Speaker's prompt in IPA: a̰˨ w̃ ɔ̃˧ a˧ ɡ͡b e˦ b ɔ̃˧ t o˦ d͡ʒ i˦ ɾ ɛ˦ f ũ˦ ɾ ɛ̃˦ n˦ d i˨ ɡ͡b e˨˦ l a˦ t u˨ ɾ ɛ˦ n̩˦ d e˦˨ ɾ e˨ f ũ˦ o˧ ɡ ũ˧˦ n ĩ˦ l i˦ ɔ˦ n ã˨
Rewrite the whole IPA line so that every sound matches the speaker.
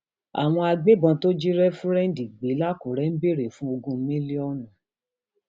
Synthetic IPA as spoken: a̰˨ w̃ ɔ̃˧ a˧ ɡ͡b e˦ b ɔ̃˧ t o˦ d͡ʒ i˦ ɾ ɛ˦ f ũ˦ ɾ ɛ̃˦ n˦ d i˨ ɡ͡b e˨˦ l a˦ k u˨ ɾ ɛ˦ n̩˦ b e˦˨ ɾ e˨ f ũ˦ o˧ ɡ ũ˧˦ m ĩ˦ l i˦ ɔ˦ n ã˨